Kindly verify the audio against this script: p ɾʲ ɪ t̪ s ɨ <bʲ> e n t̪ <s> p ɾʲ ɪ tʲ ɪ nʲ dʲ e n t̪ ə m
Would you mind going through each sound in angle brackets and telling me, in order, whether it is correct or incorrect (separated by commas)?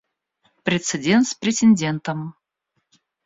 incorrect, correct